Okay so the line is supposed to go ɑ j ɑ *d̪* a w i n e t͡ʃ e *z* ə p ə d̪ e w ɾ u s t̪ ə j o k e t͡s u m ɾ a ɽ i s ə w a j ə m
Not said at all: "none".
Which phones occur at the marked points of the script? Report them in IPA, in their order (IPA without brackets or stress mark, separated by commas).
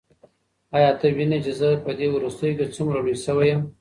t̪, z